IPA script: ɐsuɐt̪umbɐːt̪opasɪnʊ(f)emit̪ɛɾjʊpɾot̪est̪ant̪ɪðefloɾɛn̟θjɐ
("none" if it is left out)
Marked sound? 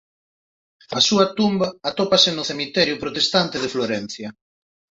θ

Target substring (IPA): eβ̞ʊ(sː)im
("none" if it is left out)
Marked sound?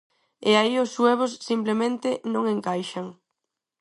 sː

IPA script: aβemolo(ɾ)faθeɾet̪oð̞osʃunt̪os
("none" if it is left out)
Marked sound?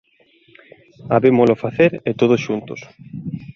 none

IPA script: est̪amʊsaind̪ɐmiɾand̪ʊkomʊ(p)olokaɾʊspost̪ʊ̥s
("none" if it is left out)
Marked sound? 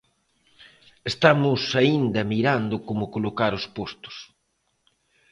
k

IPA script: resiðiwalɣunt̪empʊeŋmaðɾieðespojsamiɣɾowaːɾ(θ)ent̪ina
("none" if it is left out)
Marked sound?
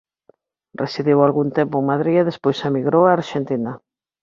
ʃ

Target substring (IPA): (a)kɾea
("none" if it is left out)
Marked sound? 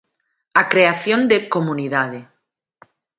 a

